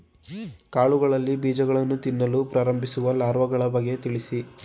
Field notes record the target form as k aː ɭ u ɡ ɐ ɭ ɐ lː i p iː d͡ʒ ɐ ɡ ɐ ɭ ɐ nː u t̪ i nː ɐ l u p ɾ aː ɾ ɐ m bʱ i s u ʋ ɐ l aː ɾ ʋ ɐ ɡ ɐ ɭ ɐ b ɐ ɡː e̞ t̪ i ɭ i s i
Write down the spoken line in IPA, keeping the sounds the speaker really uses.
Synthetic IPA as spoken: k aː ɭ u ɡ ɐ ɭ ɐ lː i b iː d͡ʒ ɐ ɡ ɐ ɭ ɐ nː u t̪ i nː ɐ l u p ɾ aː ɾ ɐ m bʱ i s u ʋ ɐ l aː ɾ ʋ ɐ ɡ ɐ ɭ ɐ b ɐ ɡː e̞ t̪ i ɭ i s i